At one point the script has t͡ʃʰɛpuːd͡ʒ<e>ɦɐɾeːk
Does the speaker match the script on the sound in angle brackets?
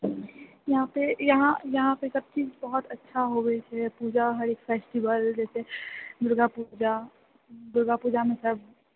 no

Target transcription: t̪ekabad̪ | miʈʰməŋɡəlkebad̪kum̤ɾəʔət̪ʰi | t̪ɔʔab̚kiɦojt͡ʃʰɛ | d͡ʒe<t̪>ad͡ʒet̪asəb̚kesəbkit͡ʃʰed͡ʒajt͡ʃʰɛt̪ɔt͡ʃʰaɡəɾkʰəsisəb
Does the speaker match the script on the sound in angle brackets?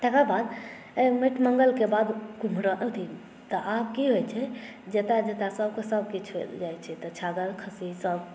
yes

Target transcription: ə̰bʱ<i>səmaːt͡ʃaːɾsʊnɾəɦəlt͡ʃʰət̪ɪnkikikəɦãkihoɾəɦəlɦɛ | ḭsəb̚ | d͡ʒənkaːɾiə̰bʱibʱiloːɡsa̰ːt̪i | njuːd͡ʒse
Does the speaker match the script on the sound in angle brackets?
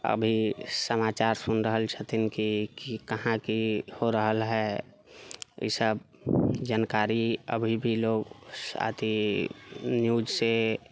yes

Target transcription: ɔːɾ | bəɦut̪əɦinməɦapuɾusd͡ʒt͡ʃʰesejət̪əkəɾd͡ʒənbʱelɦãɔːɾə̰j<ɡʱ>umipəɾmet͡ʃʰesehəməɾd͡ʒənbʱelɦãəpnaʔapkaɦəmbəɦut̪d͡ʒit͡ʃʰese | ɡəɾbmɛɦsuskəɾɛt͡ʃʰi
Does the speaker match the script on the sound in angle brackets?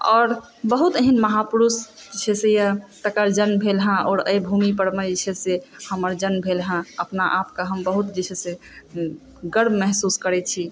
no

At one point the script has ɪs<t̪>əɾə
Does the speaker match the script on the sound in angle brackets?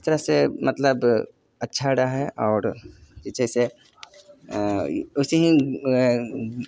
yes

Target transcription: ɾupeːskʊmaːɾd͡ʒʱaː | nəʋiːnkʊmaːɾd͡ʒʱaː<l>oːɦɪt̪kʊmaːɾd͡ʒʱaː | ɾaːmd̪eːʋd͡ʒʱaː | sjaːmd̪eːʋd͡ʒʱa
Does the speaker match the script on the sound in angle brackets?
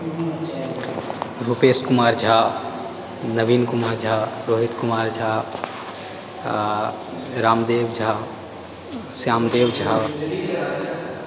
no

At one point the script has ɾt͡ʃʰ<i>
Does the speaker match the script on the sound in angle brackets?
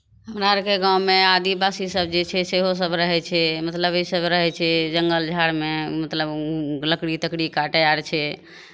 no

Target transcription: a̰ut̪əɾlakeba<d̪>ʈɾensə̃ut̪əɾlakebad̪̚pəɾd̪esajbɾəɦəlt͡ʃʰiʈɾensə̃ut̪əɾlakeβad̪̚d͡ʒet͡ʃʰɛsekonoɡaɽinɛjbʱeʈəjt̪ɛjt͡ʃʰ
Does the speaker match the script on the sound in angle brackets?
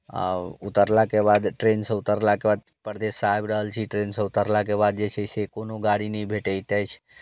yes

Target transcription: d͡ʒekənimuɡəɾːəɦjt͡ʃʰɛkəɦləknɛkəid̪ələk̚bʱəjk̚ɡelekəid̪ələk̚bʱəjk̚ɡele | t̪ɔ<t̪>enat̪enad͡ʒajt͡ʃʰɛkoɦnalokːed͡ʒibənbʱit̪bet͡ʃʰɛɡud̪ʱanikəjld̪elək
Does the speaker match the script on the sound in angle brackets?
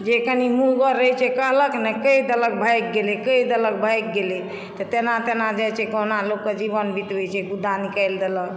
yes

